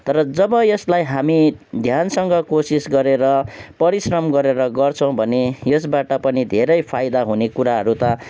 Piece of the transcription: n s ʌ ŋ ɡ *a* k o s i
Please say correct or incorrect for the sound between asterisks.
incorrect